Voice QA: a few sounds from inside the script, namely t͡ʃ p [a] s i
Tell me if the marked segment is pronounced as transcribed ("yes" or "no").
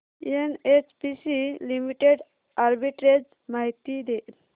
no